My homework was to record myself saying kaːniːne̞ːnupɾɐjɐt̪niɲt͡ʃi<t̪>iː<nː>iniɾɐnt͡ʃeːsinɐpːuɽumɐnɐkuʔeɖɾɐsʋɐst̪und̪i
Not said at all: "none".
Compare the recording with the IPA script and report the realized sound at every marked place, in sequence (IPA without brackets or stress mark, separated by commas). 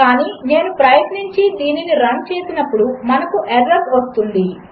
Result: d̪, n